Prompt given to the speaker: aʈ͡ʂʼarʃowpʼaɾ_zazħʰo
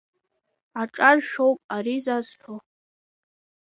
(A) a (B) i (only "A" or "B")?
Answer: B